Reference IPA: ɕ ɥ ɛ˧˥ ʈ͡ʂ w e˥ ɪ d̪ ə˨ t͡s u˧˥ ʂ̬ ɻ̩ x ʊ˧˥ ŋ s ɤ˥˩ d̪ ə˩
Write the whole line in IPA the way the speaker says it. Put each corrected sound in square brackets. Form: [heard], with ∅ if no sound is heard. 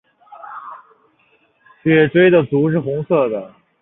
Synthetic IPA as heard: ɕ ɥ [ɛ˥˩] ʈ͡ʂ w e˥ ɪ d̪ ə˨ t͡s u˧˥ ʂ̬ ɻ̩ x ʊ˧˥ ŋ s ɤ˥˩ d̪ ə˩